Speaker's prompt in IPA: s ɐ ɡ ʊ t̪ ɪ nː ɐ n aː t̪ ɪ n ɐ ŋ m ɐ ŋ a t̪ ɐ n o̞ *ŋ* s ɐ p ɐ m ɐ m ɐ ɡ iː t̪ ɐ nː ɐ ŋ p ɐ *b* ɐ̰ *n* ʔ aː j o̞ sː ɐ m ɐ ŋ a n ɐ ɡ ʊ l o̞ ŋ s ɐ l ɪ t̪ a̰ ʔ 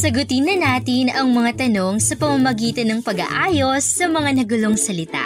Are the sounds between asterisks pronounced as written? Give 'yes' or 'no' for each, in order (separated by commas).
yes, no, no